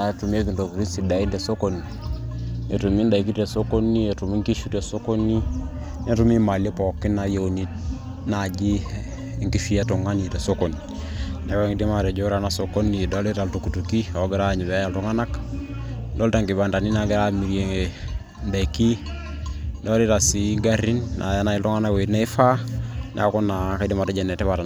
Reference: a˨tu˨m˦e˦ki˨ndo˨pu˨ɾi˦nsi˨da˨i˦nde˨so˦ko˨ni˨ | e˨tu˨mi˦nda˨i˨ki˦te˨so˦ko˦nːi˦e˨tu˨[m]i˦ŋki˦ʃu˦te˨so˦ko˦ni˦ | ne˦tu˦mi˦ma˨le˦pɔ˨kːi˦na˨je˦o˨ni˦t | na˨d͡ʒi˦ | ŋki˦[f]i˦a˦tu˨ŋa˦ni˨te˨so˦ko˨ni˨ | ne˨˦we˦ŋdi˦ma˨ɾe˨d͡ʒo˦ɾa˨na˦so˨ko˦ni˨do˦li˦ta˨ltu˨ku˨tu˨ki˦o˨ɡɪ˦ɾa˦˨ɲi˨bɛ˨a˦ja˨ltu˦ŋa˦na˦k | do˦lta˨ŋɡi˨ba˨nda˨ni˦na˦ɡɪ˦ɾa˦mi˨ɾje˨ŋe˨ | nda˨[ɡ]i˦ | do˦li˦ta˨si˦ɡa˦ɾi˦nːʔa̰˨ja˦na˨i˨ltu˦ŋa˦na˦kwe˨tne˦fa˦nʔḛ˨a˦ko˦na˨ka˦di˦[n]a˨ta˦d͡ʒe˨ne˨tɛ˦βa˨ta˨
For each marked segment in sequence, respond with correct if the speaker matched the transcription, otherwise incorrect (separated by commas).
correct, correct, incorrect, incorrect